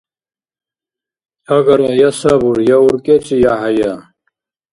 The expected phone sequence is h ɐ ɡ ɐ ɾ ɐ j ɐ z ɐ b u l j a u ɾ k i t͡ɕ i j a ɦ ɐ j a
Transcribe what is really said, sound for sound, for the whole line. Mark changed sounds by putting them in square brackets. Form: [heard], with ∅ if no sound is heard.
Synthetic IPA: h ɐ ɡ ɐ ɾ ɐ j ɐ [s] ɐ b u [ɾ] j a u ɾ k [e] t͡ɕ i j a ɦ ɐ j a